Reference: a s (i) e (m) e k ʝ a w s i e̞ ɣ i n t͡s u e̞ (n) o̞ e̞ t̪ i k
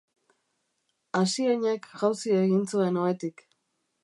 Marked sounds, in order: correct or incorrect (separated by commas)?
correct, incorrect, correct